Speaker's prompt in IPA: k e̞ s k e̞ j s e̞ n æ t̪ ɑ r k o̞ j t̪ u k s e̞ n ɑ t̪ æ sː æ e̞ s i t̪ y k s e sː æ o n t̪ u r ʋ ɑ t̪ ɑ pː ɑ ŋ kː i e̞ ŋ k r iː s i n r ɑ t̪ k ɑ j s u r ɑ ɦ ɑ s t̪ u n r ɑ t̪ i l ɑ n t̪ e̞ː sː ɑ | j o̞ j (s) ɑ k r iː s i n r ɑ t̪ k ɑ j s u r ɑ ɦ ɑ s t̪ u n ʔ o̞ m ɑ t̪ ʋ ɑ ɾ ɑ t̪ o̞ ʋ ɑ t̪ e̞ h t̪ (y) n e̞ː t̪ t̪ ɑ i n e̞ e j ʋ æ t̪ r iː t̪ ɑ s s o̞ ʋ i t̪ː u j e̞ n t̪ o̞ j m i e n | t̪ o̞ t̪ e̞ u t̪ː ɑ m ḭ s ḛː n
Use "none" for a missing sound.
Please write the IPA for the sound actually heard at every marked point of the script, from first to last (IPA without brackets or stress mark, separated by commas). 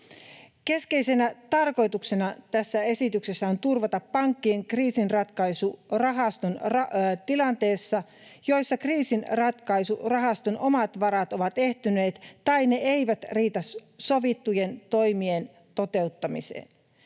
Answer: sː, y